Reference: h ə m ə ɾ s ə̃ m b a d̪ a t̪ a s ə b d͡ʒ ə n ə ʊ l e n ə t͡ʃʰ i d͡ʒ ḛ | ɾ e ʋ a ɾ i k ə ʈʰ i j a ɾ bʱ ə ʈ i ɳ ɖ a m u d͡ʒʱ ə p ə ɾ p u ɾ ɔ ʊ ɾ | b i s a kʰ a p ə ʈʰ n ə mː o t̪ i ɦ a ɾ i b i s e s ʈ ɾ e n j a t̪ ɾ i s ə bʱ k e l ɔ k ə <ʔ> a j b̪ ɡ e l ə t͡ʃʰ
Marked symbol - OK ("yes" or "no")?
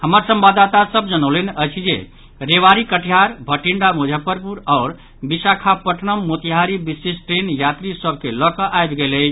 yes